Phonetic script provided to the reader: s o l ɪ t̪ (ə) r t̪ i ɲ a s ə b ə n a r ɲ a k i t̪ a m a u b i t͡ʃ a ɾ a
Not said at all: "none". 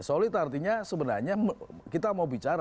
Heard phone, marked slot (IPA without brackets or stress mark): a